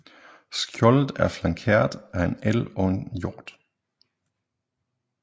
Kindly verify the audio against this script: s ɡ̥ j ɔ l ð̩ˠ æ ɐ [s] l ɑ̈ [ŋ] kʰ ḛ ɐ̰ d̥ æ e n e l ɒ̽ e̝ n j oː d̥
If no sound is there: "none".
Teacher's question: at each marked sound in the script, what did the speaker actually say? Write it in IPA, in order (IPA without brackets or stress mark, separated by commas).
f, ŋ